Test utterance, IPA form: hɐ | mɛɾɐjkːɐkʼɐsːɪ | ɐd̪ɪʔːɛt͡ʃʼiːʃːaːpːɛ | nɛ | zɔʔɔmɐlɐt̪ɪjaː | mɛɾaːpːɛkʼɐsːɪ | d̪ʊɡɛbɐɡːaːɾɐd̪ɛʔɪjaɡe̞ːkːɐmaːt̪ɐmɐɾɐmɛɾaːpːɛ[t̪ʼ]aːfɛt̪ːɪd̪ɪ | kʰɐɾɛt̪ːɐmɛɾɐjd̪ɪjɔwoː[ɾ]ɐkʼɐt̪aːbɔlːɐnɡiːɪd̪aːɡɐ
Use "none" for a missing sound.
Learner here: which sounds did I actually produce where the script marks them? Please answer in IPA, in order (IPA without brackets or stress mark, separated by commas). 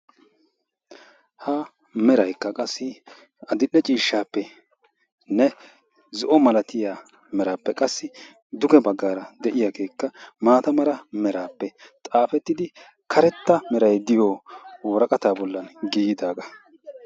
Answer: t̪ʼ, ɾ